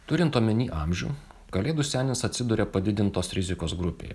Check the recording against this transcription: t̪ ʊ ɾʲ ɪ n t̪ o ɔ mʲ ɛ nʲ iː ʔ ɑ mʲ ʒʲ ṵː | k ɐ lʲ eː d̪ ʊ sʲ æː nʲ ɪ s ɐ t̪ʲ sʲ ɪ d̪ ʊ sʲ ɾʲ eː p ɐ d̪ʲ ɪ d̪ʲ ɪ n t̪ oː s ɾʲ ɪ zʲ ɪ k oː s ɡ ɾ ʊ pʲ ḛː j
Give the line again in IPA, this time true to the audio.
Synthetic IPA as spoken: t̪ ʊ ɾʲ ɪ n t̪ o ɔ mʲ ɛ nʲ iː ʔ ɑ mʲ ʒʲ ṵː | k ɐ lʲ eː d̪ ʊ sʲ æː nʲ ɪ s ɐ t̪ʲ sʲ ɪ d̪ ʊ ɾʲ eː p ɐ d̪ʲ ɪ d̪ʲ ɪ n t̪ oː s ɾʲ ɪ zʲ ɪ k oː s ɡ ɾ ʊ pʲ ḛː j